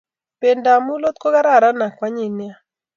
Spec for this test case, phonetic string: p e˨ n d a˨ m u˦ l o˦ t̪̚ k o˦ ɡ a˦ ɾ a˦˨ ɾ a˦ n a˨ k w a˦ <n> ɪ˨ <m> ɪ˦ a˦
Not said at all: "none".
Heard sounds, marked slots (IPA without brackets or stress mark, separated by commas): ɲ, n